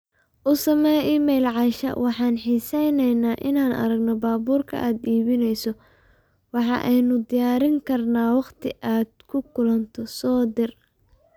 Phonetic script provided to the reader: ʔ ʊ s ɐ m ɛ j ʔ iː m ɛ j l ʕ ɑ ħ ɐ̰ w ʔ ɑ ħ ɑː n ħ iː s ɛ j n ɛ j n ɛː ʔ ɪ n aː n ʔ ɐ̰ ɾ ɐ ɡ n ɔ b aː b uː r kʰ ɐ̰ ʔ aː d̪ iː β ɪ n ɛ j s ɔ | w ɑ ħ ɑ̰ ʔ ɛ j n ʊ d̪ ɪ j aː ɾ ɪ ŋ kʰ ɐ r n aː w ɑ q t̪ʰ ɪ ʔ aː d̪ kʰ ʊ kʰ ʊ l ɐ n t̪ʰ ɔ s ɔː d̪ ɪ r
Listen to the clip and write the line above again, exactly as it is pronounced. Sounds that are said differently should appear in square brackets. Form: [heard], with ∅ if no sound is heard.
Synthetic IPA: ʔ ʊ s ɐ m ɛ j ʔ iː m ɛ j l ʕ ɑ [ʃ] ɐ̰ w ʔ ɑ ħ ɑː n ħ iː s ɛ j n ɛ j n [aː] ʔ ɪ n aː n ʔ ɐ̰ ɾ ɐ ɡ n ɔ b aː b uː r kʰ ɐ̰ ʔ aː d̪ iː β ɪ n ɛ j s ɔ | w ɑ ħ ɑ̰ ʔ ɛ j n ʊ d̪ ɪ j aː ɾ ɪ ŋ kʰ ɐ r n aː w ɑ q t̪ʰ ɪ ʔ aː d̪ kʰ ʊ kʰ ʊ l ɐ n t̪ʰ ɔ s ɔː d̪ ɪ r